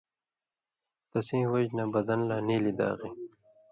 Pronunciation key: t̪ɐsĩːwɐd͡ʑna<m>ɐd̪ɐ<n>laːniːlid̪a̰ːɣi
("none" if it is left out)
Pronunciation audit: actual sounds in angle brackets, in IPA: b, n

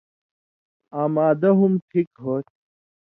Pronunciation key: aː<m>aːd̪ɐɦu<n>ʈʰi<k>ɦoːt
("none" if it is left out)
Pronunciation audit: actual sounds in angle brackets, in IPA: m, m, k

